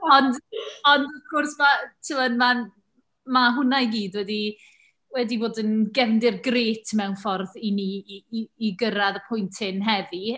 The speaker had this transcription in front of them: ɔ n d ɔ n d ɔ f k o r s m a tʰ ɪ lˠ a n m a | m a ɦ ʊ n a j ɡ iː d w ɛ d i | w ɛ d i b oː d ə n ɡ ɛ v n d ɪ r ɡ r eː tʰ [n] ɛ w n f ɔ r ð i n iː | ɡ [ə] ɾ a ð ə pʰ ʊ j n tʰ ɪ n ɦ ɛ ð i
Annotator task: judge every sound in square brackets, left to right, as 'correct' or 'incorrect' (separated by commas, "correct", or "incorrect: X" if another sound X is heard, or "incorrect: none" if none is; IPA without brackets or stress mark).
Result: incorrect: m, correct